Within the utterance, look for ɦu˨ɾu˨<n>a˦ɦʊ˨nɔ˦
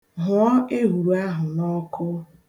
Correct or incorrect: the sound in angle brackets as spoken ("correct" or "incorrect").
incorrect